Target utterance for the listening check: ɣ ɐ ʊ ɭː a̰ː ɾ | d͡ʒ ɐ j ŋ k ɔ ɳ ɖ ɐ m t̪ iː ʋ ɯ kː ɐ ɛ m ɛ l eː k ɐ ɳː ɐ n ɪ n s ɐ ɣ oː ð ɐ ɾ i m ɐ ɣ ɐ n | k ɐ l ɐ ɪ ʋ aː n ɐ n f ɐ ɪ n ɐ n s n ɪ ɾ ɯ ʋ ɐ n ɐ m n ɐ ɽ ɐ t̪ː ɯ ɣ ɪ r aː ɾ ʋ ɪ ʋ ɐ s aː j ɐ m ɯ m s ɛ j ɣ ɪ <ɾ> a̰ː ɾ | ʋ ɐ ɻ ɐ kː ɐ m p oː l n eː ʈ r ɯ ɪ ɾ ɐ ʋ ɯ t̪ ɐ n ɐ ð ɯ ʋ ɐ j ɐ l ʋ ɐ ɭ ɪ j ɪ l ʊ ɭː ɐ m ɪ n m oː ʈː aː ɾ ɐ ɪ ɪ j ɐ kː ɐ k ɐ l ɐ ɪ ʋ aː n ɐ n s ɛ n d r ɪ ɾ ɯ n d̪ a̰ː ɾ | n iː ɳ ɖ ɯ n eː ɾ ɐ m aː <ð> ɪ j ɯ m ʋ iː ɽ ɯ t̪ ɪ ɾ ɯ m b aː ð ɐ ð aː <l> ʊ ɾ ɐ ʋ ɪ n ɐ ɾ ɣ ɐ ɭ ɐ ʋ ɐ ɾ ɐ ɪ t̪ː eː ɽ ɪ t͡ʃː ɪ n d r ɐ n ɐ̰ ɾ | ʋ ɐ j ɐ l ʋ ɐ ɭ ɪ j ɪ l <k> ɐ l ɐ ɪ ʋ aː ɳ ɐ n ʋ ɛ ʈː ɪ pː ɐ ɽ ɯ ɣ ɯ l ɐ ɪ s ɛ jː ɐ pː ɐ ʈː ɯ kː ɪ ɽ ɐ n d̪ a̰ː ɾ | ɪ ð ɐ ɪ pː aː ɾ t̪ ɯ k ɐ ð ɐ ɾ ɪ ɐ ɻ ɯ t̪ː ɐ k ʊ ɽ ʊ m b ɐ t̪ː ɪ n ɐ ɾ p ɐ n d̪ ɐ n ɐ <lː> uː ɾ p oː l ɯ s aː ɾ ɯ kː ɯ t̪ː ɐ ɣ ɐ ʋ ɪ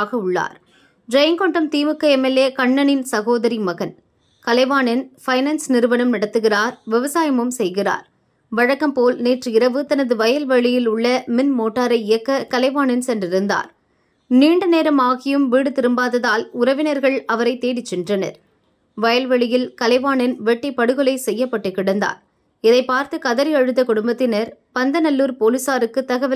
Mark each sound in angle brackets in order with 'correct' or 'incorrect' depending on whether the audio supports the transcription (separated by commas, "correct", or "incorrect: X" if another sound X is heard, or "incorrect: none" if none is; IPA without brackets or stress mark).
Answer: incorrect: r, incorrect: ɣ, correct, correct, correct